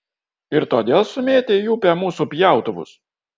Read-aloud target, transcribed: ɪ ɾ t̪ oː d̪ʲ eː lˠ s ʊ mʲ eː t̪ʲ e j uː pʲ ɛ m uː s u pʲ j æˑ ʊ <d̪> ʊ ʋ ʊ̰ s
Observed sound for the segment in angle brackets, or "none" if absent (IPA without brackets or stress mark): t̪